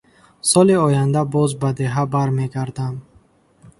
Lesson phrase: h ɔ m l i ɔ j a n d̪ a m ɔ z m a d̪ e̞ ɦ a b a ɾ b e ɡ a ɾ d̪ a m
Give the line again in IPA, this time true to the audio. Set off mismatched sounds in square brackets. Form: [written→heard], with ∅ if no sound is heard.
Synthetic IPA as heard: [h→s] ɔ [m→∅] l i ɔ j a n d̪ a [m→b] ɔ z [m→b] a d̪ e̞ ɦ a b a ɾ [b→m] e ɡ a ɾ d̪ a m